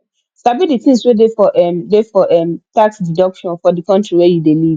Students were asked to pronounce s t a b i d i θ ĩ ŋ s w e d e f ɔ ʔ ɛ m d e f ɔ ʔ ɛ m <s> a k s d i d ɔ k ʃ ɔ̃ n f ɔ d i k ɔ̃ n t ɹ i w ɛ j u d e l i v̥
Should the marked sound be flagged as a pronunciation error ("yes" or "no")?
yes